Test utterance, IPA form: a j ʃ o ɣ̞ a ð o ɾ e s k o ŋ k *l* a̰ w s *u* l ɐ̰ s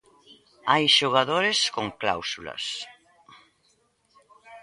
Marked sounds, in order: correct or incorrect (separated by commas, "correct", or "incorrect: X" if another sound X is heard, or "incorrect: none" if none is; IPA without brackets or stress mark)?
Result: correct, correct